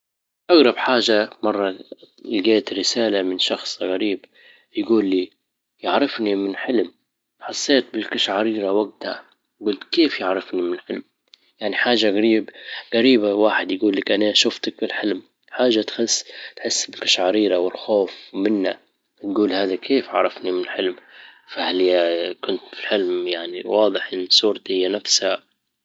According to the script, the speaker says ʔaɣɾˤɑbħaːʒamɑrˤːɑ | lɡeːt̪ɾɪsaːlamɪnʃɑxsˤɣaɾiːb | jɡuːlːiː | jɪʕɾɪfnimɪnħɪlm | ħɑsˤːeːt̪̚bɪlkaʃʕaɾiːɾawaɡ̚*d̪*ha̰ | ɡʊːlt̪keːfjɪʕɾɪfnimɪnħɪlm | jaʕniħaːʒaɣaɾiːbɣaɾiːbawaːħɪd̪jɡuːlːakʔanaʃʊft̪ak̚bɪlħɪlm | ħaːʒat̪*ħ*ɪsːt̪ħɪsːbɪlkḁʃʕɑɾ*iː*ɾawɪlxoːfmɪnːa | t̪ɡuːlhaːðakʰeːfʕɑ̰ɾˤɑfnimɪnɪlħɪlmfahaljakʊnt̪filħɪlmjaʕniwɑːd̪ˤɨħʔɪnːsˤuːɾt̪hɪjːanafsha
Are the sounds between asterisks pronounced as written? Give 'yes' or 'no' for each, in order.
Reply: no, no, yes

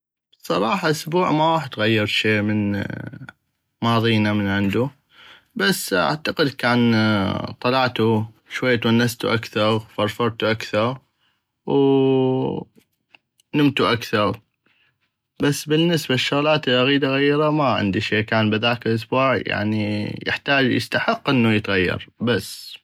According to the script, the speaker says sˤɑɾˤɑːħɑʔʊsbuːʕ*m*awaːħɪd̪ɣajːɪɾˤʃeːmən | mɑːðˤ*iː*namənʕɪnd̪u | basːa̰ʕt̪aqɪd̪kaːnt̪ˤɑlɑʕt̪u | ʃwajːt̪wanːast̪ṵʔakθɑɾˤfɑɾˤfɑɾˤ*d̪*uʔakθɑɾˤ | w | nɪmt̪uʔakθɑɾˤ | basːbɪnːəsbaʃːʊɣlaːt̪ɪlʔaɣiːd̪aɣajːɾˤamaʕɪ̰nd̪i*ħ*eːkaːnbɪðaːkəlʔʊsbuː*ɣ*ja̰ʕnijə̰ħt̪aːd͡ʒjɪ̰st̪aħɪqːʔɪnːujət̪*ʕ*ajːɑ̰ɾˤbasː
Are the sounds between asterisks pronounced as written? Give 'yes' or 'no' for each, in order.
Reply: yes, yes, no, no, no, no

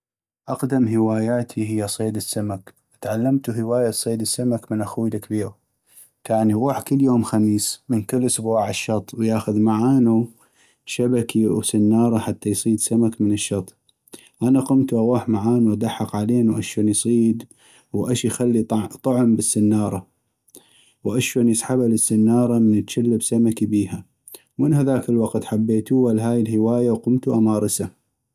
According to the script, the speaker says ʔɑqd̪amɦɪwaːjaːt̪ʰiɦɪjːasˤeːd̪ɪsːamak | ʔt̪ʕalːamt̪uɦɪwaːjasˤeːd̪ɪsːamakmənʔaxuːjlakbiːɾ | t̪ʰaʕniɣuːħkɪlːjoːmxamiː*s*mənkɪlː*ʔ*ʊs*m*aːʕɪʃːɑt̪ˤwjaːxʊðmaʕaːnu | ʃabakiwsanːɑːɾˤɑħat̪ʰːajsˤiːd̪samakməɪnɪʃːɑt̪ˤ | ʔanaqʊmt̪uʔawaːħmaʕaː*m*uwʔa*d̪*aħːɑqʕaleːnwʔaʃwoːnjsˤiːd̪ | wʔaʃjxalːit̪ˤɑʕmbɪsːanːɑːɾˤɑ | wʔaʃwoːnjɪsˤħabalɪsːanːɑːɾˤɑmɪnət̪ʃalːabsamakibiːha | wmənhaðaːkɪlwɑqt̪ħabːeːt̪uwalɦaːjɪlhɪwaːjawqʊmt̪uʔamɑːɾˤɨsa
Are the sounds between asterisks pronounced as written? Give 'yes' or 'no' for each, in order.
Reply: yes, yes, no, no, yes

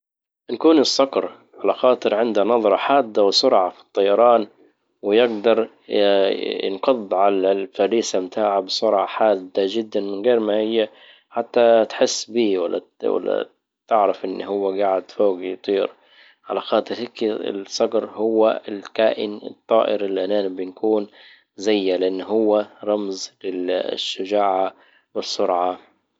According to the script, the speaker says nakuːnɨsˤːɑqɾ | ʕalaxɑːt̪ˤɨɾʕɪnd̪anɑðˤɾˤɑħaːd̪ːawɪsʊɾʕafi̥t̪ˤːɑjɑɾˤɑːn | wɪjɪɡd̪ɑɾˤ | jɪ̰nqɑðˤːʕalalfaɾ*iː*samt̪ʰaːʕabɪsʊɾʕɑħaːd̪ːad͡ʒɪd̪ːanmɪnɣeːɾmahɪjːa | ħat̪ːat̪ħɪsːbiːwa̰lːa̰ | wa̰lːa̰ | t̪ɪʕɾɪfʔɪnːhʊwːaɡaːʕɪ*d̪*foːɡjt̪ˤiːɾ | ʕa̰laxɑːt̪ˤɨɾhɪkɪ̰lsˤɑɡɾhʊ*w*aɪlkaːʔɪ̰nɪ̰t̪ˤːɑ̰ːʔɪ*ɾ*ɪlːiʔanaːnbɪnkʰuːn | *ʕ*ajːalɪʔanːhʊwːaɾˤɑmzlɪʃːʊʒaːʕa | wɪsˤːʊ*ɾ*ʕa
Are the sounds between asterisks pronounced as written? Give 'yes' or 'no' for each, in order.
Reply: yes, yes, no, yes, no, yes

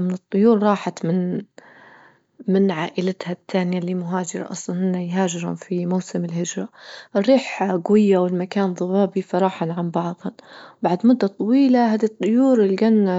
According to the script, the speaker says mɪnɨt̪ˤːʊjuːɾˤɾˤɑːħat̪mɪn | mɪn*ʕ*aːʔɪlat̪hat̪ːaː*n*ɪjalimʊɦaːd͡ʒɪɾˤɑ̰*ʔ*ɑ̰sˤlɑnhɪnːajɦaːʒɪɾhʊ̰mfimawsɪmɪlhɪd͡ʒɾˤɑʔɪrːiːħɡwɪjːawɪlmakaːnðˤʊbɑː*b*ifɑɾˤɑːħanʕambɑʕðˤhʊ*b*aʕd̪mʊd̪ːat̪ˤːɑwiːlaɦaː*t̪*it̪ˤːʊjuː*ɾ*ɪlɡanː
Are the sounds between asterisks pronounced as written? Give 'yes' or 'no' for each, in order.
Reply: yes, yes, yes, yes, yes, no, yes

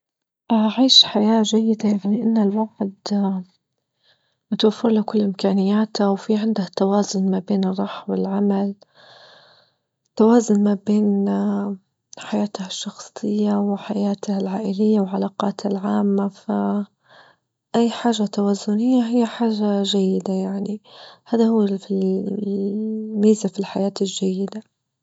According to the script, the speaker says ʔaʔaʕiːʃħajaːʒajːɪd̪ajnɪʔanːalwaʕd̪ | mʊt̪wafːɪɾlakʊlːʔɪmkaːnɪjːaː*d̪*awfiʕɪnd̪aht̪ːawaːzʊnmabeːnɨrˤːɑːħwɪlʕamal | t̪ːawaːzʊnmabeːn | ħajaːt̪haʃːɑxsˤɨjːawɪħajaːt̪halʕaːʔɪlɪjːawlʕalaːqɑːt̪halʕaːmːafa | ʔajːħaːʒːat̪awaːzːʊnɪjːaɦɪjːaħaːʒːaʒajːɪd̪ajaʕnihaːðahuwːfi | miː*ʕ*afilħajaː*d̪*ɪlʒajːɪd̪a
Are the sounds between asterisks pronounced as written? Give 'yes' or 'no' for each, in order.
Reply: no, no, no

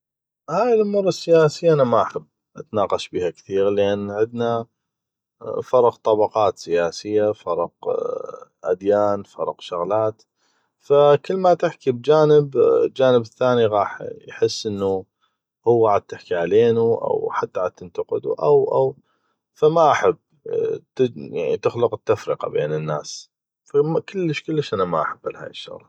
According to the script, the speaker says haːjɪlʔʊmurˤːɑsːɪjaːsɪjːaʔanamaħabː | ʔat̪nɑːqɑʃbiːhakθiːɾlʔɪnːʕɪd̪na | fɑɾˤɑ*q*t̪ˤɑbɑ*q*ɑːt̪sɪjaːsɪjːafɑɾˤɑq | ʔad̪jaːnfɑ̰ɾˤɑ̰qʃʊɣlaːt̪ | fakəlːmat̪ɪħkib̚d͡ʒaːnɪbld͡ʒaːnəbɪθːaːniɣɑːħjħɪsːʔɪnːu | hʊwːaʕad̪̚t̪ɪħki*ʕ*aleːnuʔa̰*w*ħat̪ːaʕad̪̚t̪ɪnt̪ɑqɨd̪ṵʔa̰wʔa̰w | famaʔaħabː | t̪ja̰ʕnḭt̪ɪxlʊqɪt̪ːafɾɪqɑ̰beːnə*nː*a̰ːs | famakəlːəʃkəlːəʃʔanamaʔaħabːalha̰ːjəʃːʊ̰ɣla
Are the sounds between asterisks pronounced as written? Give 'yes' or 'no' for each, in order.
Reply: yes, yes, yes, yes, yes

